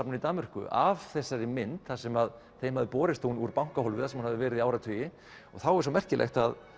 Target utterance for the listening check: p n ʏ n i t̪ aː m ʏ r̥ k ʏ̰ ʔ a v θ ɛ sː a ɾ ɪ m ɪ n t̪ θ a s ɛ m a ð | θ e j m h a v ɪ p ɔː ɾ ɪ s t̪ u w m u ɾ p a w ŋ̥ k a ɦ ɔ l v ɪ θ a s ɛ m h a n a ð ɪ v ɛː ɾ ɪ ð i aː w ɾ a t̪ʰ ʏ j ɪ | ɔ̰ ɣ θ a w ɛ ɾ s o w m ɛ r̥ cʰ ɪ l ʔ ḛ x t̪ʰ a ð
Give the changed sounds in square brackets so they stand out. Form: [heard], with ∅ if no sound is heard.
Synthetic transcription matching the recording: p n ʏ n i t̪ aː m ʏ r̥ k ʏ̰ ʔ a v θ ɛ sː a ɾ ɪ m ɪ n t̪ θ a s ɛ m a ð | θ e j m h a [ð] ɪ p ɔː ɾ ɪ s t̪ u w [n] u ɾ p a w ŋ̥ k a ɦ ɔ l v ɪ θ a s ɛ m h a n a ð ɪ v ɛː ɾ ɪ ð i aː w ɾ a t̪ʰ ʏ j ɪ | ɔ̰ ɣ θ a w ɛ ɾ s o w m ɛ r̥ [c] ɪ l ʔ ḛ x [t̪] a ð